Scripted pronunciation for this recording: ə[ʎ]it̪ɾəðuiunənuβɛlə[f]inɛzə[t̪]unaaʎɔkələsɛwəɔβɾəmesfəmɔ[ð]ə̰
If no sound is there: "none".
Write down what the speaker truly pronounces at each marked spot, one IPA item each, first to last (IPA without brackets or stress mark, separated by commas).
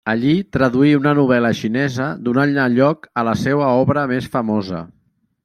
ʎ, ʃ, d̪, z